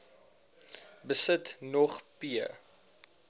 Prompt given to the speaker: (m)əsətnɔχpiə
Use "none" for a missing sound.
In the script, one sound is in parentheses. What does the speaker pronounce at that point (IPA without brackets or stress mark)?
b